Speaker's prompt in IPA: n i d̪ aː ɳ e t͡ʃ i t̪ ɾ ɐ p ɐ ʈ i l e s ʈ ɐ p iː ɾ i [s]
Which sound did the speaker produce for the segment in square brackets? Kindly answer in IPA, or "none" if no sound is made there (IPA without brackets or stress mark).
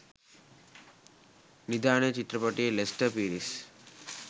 s